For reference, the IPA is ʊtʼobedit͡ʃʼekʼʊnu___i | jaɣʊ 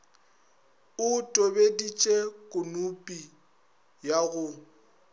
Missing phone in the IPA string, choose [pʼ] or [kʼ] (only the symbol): pʼ